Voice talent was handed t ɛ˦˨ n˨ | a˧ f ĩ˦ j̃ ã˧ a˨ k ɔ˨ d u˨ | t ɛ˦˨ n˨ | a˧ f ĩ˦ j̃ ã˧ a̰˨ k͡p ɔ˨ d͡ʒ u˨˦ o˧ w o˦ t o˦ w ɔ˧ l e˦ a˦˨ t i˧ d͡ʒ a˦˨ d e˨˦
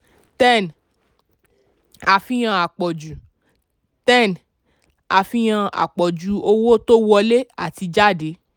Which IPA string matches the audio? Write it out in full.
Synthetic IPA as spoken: t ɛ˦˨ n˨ | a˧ f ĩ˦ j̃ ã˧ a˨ k͡p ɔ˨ d͡ʒ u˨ | t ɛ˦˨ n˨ | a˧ f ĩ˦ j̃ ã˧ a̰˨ k͡p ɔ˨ d͡ʒ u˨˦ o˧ w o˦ t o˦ w ɔ˧ l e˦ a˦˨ t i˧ d͡ʒ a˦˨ d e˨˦